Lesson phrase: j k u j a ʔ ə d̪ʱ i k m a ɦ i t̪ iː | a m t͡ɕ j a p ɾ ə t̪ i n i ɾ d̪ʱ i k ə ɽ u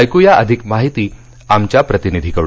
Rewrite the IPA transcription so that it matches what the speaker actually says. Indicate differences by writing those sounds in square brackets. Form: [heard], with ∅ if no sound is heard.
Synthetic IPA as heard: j k u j a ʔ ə d̪ʱ i k m a ɦ i t̪ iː | a m t͡ɕ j a p ɾ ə t̪ i n i [∅] d̪ʱ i k ə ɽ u